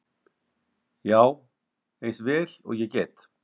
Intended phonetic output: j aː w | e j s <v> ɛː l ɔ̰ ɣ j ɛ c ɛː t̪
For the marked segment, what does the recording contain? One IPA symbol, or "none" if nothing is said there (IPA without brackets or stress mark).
v